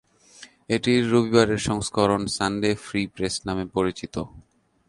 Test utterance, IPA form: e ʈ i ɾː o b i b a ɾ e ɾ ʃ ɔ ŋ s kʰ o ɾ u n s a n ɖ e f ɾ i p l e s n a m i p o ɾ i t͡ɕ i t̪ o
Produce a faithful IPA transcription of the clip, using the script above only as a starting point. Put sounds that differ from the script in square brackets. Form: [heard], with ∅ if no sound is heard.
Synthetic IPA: e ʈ i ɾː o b i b a ɾ e ɾ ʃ ɔ ŋ s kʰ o ɾ [o] n s a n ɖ e f ɾ i p [ɾ] e s n a m [e] p o ɾ i t͡ɕ i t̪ o